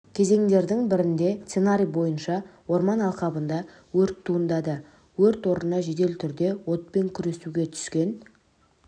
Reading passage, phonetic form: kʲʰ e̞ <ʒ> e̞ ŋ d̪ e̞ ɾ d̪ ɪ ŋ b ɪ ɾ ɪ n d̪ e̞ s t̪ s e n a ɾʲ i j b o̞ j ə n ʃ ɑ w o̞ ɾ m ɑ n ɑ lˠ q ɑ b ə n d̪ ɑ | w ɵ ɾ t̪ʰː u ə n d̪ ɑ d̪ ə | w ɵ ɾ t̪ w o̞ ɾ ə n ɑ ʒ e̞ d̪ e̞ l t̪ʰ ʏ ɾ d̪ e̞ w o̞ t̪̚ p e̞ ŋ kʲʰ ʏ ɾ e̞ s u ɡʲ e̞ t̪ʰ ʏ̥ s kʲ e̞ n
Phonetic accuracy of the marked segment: incorrect: z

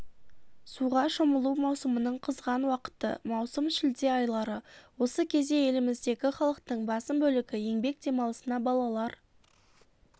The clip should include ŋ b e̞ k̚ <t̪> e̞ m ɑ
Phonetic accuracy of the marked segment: incorrect: d̪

